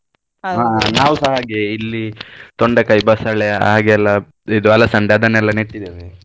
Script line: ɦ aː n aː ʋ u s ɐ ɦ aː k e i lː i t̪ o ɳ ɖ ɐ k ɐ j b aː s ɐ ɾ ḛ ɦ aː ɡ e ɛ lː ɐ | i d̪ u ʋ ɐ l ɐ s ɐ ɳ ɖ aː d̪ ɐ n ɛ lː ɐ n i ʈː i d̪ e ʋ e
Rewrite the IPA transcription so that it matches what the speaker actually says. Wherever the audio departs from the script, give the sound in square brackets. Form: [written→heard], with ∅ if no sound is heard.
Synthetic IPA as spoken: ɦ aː n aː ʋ u s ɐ ɦ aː [k→ɡ] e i lː i t̪ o ɳ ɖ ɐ k ɐ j b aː s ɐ [ɾ→ɭ] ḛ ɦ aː ɡ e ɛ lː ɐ | i d̪ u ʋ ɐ l ɐ s ɐ ɳ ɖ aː d̪ ɐ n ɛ lː ɐ n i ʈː i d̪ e ʋ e